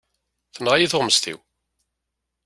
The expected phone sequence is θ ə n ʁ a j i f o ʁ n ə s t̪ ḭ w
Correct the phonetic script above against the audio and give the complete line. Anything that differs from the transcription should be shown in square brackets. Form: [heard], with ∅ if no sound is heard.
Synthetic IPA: θ ə n ʁ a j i [θ] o ʁ [m] ə s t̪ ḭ w